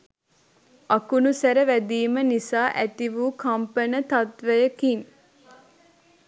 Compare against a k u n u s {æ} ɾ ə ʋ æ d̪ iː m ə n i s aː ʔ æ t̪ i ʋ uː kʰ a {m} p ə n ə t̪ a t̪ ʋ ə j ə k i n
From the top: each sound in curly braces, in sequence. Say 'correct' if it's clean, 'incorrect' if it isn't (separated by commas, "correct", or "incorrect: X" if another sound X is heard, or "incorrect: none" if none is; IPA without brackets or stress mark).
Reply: correct, correct